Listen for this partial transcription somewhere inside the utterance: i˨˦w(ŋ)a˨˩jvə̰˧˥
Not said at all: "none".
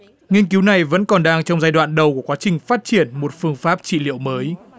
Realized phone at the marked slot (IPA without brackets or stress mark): n